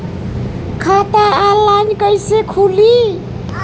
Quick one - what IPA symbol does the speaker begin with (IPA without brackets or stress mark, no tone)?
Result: kʰ